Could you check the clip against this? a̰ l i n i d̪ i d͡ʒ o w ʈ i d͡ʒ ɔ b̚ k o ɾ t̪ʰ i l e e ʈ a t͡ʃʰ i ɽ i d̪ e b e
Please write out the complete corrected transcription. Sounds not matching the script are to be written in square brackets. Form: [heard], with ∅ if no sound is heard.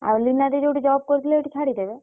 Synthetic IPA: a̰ l i n [a] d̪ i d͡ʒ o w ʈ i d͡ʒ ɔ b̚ k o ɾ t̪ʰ i l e e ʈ [i] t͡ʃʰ [a] ɽ i d̪ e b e